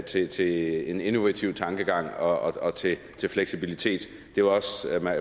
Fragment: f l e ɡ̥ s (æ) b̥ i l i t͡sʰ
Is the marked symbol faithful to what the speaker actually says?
no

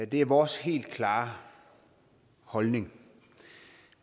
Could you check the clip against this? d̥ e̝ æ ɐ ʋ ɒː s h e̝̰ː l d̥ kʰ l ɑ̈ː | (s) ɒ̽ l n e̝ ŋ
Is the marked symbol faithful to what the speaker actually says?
no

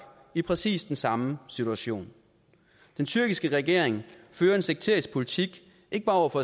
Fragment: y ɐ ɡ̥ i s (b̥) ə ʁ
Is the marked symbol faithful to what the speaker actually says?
no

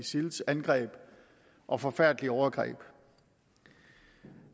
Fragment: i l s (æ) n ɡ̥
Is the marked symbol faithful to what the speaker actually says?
yes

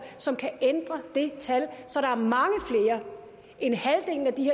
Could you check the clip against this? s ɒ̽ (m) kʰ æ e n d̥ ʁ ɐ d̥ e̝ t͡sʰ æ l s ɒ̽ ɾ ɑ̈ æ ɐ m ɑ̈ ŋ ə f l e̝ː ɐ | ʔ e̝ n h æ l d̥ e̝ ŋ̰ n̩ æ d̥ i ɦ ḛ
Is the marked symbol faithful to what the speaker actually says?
yes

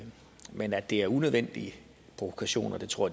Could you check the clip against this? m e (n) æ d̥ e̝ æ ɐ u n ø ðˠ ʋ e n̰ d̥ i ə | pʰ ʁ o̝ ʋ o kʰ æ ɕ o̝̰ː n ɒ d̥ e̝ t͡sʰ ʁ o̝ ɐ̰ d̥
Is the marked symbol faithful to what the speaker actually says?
yes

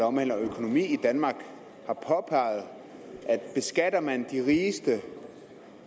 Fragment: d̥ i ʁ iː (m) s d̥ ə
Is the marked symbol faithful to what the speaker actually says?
no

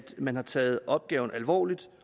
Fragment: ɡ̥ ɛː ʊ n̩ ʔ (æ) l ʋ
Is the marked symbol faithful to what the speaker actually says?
yes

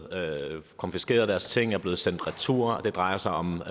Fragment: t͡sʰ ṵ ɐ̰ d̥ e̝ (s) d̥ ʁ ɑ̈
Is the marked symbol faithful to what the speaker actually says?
no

